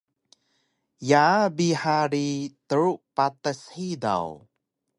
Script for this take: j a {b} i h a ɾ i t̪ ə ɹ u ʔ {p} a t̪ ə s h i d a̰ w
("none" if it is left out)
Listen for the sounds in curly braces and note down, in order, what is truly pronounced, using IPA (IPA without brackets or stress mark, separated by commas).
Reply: b, p